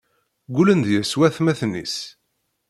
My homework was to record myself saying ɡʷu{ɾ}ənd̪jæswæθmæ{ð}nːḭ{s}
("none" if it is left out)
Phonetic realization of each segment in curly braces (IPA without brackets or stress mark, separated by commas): l, θ, s